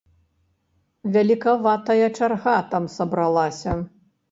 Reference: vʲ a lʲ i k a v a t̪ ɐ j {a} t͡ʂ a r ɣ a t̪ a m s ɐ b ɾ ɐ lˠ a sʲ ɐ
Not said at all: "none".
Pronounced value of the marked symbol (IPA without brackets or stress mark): ɐ